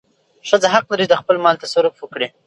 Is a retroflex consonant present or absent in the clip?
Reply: present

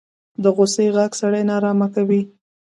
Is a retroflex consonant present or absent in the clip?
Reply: present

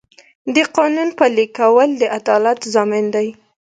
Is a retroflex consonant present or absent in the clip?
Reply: absent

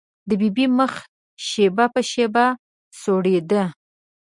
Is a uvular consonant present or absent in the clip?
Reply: absent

